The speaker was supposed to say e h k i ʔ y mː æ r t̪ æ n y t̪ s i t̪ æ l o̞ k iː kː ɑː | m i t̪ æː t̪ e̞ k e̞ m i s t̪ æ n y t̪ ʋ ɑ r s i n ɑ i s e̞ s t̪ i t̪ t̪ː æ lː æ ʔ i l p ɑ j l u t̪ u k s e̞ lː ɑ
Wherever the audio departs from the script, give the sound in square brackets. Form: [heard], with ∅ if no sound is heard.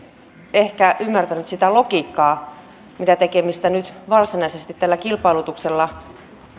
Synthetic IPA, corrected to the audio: e h k [æ] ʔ y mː æ r t̪ æ n y t̪ s i t̪ æ l o̞ k iː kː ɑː | m i t̪ [æ] t̪ e̞ k e̞ m i s t̪ æ n y t̪ ʋ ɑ r s i n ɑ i s e̞ s t̪ i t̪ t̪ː æ lː æ [k] i l p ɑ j l u t̪ u k s e̞ lː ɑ